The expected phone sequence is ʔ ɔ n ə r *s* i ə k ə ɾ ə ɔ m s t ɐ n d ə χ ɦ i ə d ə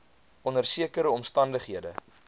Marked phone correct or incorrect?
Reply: correct